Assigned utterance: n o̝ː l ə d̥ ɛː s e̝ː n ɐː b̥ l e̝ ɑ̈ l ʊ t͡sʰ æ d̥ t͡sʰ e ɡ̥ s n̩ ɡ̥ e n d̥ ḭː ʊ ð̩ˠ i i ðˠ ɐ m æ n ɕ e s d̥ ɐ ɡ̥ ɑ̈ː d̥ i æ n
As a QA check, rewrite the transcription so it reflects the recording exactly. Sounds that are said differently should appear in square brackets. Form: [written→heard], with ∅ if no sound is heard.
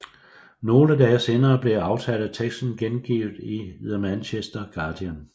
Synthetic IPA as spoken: n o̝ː l ə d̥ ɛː s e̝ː n ɐː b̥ l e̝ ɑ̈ [l→∅] ʊ t͡sʰ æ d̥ t͡sʰ e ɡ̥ s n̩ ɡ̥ e n [d̥→ɡ̥] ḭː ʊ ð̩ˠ i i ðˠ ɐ m æ n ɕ e s d̥ ɐ ɡ̥ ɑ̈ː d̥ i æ n